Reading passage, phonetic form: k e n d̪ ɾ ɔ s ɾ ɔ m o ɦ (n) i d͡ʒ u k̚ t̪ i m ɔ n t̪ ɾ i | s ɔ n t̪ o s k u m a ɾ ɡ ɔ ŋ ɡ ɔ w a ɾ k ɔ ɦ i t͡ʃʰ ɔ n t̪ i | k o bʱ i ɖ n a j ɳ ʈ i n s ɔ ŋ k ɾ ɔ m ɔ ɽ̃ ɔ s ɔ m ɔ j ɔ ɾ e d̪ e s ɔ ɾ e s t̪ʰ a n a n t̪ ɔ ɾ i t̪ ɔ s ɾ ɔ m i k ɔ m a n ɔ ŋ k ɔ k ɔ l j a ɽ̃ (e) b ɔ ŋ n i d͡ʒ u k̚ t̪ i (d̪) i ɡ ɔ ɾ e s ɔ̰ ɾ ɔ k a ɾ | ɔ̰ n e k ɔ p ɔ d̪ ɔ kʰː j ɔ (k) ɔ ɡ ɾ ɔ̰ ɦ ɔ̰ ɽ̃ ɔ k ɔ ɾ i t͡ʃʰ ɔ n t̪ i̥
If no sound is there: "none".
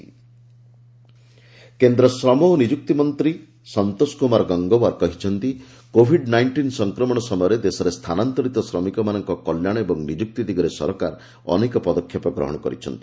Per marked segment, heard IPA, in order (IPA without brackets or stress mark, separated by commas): n, e, d̪, p